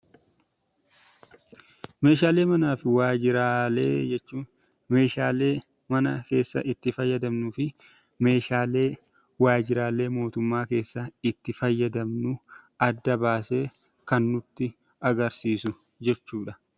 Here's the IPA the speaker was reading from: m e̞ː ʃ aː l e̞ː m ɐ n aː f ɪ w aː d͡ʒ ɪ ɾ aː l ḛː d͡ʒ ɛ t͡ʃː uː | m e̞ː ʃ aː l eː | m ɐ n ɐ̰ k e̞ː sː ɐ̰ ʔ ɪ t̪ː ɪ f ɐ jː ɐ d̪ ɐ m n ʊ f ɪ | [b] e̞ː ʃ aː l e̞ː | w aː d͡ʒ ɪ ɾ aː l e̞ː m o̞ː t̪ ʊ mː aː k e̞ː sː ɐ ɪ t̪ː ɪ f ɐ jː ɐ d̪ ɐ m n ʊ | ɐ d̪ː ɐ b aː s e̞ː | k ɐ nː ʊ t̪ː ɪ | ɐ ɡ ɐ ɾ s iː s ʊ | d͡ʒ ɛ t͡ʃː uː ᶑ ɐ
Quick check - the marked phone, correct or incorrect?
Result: incorrect: m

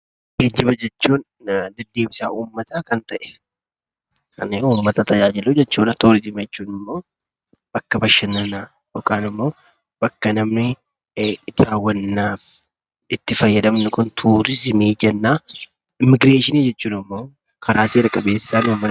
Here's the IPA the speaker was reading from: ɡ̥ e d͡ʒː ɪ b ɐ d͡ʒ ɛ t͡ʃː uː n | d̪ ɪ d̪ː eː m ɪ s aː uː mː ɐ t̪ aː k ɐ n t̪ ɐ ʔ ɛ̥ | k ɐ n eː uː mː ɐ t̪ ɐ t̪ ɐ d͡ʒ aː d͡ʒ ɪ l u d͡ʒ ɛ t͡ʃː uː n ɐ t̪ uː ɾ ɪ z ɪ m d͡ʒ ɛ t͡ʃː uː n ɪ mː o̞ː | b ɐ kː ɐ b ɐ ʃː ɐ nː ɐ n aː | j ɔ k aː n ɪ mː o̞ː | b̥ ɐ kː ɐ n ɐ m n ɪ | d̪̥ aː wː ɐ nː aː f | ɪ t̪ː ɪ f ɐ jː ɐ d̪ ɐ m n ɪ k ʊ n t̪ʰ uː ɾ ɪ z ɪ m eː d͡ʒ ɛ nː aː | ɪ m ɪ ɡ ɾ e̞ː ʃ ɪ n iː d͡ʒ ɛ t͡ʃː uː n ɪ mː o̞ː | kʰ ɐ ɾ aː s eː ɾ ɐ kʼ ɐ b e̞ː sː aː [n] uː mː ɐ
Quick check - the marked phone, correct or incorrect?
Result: correct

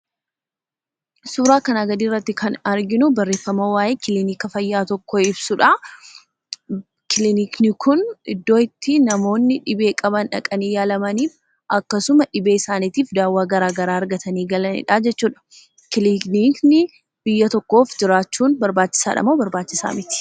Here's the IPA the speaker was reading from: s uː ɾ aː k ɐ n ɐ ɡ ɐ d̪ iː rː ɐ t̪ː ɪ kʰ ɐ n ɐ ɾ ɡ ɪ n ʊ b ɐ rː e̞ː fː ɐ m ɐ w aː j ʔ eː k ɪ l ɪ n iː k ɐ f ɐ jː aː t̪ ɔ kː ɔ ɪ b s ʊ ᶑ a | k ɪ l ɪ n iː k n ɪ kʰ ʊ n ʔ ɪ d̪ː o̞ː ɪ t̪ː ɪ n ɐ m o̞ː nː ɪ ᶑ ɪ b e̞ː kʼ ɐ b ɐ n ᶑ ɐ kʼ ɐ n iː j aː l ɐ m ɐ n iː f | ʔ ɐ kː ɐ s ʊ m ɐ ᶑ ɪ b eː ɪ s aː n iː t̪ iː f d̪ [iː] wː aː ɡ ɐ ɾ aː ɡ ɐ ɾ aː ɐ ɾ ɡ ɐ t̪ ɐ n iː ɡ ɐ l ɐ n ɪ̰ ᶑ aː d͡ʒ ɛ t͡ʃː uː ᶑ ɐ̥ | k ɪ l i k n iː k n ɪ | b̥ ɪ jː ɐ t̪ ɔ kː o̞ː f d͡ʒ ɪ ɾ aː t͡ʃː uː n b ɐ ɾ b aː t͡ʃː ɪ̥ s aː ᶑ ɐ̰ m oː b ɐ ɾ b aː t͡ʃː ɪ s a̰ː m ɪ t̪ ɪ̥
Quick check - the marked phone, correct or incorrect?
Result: incorrect: aː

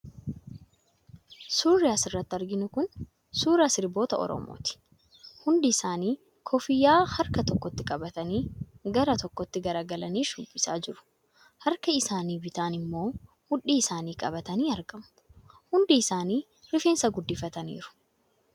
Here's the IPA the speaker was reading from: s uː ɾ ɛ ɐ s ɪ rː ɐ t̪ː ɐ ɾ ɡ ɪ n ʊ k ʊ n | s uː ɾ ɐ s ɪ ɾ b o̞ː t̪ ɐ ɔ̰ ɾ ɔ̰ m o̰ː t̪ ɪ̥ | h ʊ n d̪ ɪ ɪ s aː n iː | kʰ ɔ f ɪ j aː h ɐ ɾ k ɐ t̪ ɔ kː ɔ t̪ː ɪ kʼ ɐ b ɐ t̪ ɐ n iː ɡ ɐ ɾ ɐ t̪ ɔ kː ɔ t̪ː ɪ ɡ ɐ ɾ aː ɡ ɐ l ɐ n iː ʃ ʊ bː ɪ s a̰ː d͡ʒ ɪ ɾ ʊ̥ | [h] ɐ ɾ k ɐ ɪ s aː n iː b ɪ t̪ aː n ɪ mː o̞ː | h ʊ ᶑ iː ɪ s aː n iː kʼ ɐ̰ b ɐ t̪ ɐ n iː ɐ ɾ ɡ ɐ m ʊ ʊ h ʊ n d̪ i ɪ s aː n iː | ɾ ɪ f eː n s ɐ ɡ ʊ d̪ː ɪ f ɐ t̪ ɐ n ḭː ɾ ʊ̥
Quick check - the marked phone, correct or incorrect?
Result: correct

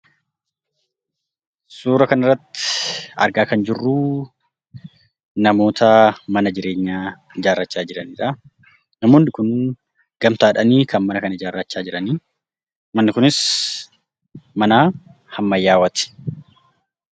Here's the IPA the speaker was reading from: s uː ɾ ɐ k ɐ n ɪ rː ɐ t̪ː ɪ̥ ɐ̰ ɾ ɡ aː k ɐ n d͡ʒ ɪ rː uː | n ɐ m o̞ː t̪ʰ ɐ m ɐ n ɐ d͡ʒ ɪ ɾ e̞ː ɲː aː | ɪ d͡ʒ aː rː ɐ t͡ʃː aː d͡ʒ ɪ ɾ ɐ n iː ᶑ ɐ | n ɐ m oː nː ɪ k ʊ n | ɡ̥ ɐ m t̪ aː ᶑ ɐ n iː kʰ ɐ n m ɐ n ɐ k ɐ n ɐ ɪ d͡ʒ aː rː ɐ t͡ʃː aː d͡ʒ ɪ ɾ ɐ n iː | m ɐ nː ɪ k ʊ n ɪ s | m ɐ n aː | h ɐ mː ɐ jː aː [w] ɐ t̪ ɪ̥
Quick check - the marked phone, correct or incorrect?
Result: correct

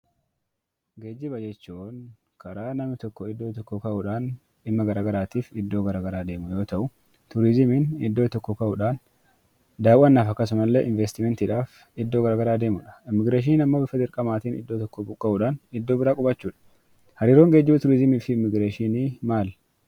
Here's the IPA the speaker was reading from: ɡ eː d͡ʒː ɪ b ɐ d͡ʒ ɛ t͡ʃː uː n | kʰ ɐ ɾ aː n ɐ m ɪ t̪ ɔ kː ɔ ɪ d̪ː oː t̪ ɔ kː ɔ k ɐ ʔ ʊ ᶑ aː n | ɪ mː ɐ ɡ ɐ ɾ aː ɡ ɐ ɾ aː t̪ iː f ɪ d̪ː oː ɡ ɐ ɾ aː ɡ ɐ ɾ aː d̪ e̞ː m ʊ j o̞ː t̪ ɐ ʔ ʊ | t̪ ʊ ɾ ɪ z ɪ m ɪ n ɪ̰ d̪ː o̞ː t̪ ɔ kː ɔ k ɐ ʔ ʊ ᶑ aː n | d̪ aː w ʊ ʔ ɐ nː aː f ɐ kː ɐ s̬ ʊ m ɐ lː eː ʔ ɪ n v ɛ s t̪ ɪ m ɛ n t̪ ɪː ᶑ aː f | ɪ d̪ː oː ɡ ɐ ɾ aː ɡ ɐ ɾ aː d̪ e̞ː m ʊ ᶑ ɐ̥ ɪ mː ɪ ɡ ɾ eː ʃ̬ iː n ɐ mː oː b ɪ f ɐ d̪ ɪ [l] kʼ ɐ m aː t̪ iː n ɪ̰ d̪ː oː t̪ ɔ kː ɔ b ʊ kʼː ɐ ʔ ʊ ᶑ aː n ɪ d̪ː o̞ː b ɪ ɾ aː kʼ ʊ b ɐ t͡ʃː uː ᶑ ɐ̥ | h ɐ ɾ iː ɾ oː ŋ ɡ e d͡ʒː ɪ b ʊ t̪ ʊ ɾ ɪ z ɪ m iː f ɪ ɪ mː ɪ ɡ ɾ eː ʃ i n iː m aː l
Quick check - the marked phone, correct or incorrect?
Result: incorrect: ɾ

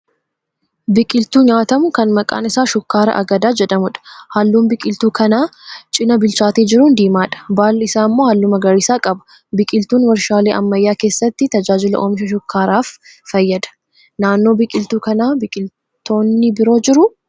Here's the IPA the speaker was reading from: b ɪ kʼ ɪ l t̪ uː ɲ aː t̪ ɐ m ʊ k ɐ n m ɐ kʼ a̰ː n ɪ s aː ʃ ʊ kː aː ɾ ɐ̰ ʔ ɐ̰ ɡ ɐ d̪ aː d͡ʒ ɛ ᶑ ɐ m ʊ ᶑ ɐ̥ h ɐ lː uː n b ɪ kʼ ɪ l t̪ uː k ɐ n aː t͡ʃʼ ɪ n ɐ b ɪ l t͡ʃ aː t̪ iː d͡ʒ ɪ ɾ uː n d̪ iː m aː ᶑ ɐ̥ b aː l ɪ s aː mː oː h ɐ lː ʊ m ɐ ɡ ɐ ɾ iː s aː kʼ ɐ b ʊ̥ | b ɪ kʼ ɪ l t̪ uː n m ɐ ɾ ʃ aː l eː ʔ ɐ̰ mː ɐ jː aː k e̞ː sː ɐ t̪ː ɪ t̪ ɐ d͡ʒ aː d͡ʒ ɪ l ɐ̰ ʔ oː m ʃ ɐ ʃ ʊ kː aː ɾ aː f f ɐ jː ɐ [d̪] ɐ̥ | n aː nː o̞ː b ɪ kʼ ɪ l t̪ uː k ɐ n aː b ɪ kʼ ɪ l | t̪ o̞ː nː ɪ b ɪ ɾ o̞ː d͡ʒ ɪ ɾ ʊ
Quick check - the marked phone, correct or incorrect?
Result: correct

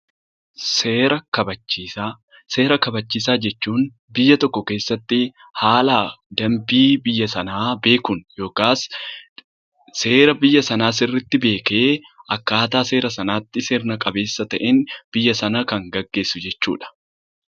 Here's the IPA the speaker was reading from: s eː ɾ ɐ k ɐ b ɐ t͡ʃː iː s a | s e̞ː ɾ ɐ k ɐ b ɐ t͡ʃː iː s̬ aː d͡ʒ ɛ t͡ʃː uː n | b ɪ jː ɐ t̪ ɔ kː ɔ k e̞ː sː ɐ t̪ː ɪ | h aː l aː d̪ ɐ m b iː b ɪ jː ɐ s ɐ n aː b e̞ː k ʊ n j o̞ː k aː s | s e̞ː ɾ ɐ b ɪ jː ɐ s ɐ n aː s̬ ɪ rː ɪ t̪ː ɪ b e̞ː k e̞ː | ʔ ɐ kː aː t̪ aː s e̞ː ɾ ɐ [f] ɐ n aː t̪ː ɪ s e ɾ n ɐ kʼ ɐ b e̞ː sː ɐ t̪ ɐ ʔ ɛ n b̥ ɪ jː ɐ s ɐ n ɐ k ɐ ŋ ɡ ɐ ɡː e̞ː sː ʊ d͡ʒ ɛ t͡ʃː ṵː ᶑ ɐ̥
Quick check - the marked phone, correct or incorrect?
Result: incorrect: s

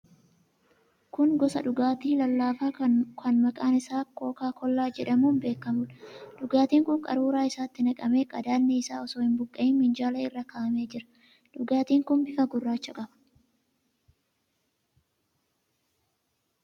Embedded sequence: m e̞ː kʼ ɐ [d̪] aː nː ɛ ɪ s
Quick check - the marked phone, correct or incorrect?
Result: correct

